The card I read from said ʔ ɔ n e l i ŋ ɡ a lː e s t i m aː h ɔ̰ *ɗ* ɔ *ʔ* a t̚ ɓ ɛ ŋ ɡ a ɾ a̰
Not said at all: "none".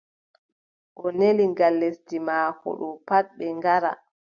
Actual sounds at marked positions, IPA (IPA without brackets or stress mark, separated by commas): ɗ, p